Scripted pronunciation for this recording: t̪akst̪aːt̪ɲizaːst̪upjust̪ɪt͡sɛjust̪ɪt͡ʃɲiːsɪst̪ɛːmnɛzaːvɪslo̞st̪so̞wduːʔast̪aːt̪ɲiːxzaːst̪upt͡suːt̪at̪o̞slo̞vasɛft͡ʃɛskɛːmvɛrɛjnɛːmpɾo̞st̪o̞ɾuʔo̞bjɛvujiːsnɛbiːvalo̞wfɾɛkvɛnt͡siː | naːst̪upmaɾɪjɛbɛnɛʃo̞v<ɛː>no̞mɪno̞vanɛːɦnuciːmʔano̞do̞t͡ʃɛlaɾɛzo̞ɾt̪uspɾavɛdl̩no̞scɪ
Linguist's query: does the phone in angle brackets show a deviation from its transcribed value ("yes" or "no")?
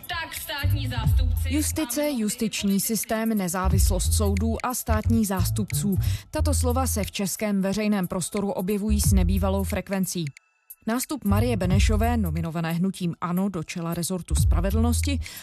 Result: no